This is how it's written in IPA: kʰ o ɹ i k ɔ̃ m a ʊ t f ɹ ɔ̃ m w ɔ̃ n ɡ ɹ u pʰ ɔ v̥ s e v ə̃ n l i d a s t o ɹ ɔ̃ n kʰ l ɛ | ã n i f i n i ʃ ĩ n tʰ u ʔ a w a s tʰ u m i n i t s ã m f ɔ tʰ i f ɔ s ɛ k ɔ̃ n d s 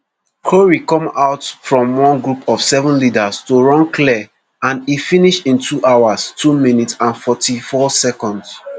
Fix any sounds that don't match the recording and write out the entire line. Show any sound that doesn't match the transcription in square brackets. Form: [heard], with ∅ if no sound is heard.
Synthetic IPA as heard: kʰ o ɹ i k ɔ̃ m a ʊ t f ɹ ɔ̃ m w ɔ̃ n ɡ ɹ u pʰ ɔ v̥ s [ɛ] v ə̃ n l i d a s t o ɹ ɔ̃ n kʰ l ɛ | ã n i f i n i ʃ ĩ n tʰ u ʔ a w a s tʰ u m i n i t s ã [n] f ɔ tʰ i f ɔ s ɛ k ɔ̃ n d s